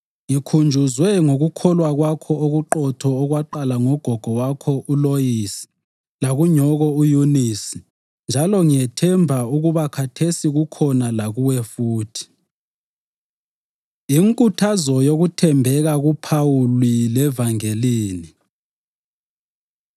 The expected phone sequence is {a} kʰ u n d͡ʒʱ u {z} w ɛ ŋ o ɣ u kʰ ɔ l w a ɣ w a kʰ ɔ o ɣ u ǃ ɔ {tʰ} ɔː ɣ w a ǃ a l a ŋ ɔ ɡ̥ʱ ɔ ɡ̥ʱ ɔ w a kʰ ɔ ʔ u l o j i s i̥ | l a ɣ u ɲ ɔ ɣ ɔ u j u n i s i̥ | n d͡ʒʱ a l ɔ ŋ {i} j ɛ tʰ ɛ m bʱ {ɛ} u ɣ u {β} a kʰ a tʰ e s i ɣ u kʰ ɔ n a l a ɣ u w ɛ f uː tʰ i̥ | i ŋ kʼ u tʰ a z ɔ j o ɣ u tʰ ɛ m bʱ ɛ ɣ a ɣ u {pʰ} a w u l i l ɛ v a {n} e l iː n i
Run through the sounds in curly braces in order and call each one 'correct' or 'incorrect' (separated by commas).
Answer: incorrect, correct, correct, correct, incorrect, correct, correct, incorrect